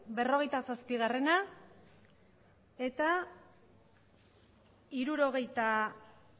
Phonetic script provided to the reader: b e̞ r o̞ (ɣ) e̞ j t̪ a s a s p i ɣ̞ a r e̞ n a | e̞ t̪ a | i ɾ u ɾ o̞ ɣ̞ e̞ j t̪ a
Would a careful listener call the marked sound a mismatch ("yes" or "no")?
no